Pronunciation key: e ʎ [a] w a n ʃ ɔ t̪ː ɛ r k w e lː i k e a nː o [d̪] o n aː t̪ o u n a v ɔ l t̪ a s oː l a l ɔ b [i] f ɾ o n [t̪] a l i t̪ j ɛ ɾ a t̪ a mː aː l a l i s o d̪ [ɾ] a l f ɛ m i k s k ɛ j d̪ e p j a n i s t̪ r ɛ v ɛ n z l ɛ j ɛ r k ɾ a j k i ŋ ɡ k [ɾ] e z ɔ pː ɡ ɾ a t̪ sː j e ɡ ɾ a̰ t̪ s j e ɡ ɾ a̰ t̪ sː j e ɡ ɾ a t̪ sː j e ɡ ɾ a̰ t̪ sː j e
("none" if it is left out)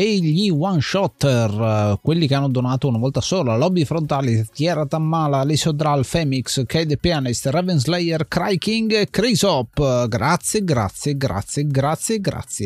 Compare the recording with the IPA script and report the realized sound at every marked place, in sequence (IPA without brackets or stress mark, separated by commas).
i, d̪, i, t̪, ɾ, ɾ